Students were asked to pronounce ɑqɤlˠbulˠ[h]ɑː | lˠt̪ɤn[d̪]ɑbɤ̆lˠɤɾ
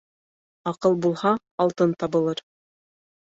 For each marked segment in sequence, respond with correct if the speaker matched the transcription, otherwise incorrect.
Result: correct, incorrect: t̪

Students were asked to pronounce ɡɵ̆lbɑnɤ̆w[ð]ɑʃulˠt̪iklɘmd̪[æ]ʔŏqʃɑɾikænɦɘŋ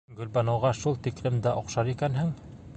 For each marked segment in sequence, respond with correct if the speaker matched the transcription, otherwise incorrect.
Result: incorrect: ʁ, correct

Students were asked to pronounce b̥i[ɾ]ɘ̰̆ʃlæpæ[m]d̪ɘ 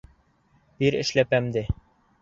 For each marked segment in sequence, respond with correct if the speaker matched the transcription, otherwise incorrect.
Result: correct, correct

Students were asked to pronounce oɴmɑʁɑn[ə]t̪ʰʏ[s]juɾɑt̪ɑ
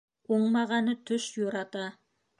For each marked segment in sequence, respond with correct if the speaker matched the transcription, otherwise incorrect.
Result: correct, incorrect: ʃ

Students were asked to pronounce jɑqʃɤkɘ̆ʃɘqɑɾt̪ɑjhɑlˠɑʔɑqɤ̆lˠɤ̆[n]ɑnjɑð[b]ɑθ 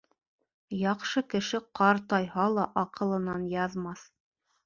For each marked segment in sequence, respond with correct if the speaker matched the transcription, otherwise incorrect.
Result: correct, incorrect: m

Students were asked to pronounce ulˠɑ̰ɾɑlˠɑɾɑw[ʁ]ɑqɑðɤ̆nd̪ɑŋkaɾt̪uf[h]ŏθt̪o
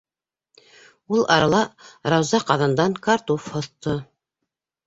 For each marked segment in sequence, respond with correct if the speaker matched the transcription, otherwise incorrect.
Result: incorrect: z, correct

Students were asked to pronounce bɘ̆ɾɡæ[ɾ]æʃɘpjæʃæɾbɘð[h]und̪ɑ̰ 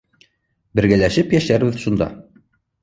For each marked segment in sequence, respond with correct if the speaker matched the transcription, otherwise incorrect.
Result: incorrect: l, incorrect: ʃ

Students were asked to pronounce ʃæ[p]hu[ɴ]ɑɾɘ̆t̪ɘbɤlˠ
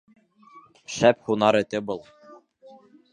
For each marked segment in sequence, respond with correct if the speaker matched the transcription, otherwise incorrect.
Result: correct, incorrect: n

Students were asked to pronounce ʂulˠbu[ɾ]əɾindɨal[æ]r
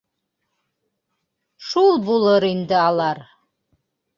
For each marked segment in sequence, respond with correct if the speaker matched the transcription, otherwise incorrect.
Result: incorrect: l, incorrect: a

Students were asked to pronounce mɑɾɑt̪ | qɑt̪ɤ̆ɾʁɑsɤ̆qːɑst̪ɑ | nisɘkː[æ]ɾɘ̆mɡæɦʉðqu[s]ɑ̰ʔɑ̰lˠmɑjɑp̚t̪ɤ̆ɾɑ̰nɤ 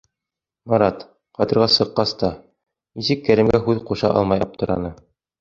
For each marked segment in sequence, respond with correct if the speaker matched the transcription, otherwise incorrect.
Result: correct, incorrect: ʃ

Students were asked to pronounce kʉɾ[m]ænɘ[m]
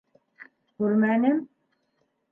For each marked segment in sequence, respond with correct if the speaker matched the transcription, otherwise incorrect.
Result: correct, correct

